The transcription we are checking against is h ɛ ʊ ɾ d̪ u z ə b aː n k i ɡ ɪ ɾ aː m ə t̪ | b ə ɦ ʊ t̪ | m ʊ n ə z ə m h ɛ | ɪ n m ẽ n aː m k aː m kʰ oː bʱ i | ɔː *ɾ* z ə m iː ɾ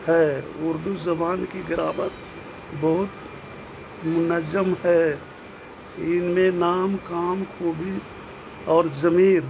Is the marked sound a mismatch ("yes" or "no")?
no